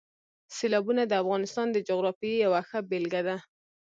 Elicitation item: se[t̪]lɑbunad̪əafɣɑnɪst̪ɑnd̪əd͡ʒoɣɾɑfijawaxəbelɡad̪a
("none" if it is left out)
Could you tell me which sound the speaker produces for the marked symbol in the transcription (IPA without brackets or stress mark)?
none